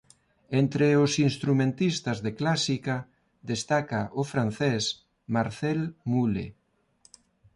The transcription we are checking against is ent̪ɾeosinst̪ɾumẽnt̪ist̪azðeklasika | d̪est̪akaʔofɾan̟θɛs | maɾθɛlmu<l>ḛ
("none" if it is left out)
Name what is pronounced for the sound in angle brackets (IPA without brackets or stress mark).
l